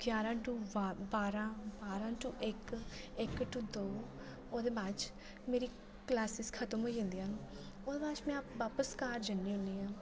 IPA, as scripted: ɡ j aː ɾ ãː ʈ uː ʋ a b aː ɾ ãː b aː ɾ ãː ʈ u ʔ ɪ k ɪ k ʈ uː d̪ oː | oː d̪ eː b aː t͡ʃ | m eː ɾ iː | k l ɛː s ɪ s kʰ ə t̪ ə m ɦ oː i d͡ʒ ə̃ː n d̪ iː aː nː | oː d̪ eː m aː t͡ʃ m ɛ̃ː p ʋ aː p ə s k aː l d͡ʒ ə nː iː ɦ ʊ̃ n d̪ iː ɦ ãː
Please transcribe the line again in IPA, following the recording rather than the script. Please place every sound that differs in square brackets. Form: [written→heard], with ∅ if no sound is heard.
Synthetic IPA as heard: ɡ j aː ɾ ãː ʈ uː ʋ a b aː ɾ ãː b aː ɾ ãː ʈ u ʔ ɪ k ɪ k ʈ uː d̪ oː | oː d̪ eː b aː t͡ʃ | m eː ɾ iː | k l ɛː s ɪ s kʰ ə t̪ ə m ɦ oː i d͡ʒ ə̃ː n d̪ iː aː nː | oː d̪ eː [m→b] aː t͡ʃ m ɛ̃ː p ʋ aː p ə s k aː [l→ɾ] d͡ʒ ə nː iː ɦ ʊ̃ n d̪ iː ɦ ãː